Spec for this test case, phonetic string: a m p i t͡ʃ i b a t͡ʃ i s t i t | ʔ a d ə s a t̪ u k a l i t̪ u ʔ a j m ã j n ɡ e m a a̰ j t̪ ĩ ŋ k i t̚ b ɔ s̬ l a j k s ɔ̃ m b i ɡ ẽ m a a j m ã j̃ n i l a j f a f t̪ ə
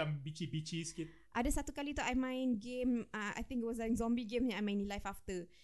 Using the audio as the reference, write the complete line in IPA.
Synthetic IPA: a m b i t͡ʃ i b i t͡ʃ i s k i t | ʔ a d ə s a t̪ u k a l i t̪ u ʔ a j m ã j n ɡ e m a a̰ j t̪ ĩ ŋ k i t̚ w ɔ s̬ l a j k z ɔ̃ m b i ɡ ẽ m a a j m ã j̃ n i l a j f a f t̪ ə